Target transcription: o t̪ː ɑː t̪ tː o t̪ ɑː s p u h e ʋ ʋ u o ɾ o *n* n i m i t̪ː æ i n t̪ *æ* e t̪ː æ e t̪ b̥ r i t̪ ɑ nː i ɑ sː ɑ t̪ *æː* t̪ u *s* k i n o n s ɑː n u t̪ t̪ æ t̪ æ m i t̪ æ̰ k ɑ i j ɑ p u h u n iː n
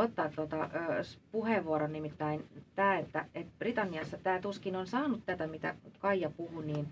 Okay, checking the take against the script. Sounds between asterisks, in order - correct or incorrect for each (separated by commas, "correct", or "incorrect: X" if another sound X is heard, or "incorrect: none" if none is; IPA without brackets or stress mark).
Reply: correct, incorrect: æː, correct, correct